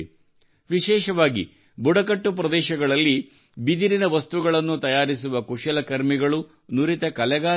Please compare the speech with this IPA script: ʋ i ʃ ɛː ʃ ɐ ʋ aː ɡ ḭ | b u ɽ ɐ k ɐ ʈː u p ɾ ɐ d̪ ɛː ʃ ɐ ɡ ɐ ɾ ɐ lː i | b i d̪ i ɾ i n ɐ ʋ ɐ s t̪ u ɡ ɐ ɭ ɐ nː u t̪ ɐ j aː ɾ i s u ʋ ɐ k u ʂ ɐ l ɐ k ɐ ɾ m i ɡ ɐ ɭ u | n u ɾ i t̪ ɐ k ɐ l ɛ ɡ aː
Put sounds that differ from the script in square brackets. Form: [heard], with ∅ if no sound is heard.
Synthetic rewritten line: ʋ i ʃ ɛː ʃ ɐ ʋ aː ɡ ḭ | b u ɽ ɐ k ɐ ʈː u p ɾ ɐ d̪ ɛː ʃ ɐ ɡ ɐ [ɭ] ɐ lː i | b i d̪ i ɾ i n ɐ ʋ ɐ s t̪ u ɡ ɐ ɭ ɐ nː u t̪ ɐ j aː ɾ i s u ʋ ɐ k u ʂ ɐ l ɐ k ɐ ɾ m i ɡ ɐ ɭ u | n u ɾ i t̪ ɐ k ɐ l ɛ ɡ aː

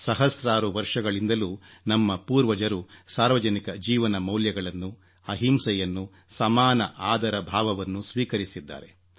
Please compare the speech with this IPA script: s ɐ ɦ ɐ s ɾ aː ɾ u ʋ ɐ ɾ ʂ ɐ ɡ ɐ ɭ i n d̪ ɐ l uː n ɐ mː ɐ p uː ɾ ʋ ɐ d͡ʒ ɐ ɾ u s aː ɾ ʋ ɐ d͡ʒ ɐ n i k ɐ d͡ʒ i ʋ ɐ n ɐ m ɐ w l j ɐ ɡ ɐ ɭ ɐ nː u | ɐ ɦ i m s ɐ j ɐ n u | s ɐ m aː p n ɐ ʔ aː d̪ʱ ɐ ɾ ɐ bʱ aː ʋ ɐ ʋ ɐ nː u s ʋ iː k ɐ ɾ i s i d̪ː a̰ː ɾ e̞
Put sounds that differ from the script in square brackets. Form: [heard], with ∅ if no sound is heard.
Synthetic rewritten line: s ɐ ɦ ɐ s ɾ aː ɾ u ʋ ɐ ɾ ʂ ɐ ɡ ɐ ɭ i n d̪ ɐ l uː n ɐ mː ɐ p uː ɾ ʋ ɐ d͡ʒ ɐ ɾ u s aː ɾ ʋ ɐ d͡ʒ ɐ n i k ɐ d͡ʒ [iː] ʋ ɐ n ɐ m ɐ w l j ɐ ɡ ɐ ɭ ɐ nː u | ɐ ɦ i m s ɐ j ɐ [nː] u | s ɐ m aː [∅] n ɐ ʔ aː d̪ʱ ɐ ɾ ɐ bʱ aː ʋ ɐ ʋ ɐ nː u s ʋ iː k ɐ ɾ i s i d̪ː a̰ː ɾ e̞

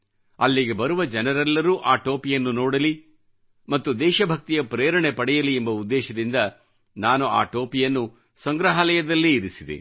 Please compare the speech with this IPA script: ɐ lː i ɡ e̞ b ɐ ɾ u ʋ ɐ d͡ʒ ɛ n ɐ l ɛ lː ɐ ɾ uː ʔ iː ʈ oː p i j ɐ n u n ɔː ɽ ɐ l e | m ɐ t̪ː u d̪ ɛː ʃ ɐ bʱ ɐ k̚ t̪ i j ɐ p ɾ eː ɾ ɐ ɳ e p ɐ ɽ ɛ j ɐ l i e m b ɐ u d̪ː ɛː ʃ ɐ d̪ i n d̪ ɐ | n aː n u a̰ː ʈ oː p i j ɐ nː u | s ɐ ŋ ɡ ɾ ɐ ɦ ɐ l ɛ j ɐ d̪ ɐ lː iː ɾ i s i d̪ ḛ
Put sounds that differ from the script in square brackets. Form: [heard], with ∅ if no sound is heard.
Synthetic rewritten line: ɐ lː i ɡ e̞ b ɐ ɾ u ʋ ɐ d͡ʒ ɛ n ɐ [ɾ] ɛ lː ɐ ɾ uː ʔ [aː] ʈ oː p i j ɐ [nː] u n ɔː ɽ ɐ l [i] | m ɐ t̪ː u d̪ ɛː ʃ ɐ bʱ ɐ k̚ t̪ i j ɐ p ɾ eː ɾ ɐ ɳ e p ɐ ɽ ɛ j ɐ l i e m b ɐ u d̪ː ɛː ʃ ɐ d̪ i n d̪ ɐ | n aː n u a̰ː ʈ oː p i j ɐ nː u | s ɐ ŋ ɡ ɾ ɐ ɦ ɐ l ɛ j ɐ d̪ ɐ lː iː ɾ i s i d̪ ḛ

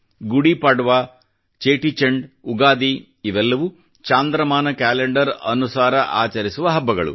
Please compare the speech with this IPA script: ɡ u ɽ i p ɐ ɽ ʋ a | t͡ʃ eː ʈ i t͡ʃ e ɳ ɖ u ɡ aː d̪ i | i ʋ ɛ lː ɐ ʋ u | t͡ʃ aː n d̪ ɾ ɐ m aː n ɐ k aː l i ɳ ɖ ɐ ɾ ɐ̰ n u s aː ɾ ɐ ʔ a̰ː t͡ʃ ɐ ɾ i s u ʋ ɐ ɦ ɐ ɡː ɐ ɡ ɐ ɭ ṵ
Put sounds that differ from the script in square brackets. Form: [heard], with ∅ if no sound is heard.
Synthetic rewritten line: ɡ u ɽ i p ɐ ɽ ʋ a | t͡ʃ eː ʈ i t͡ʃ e ɳ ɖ u ɡ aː d̪ i | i ʋ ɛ lː ɐ ʋ u | t͡ʃ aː n d̪ ɾ ɐ m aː n ɐ k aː l [e] ɳ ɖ ɐ ɾ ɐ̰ n u s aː ɾ ɐ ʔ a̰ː t͡ʃ ɐ ɾ i s u ʋ ɐ ɦ ɐ [bː] ɐ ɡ ɐ ɭ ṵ

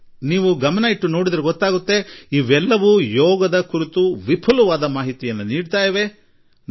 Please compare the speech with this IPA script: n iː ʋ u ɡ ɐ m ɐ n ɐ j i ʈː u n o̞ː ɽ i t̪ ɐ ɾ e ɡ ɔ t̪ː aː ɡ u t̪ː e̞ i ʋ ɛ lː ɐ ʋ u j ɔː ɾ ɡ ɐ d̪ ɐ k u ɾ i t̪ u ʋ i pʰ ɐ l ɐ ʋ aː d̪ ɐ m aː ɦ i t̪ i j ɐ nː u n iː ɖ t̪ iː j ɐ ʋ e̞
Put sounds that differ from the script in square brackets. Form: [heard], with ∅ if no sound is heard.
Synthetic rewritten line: n iː ʋ u ɡ ɐ m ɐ n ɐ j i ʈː u n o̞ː ɽ i [d̪] ɐ ɾ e ɡ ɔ t̪ː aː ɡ u t̪ː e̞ i ʋ ɛ lː ɐ ʋ u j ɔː [∅] ɡ ɐ d̪ ɐ k u ɾ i t̪ u ʋ i pʰ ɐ l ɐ ʋ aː d̪ ɐ m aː ɦ i t̪ i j ɐ nː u n iː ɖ t̪ [aː] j ɐ ʋ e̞

